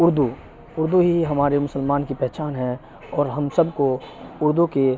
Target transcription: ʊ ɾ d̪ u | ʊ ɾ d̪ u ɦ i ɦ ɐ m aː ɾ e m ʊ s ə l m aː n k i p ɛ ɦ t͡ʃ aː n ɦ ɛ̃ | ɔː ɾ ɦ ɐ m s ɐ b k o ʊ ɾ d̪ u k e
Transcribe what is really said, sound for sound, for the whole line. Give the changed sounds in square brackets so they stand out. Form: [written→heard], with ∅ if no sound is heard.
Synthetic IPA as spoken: ʊ ɾ d̪ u | ʊ ɾ d̪ u ɦ i ɦ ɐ m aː ɾ e m ʊ s ə l m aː n k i p ɛ ɦ t͡ʃ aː n ɦ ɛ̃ | ɔː ɾ ɦ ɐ m s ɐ b k o ʊ ɾ d̪ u k e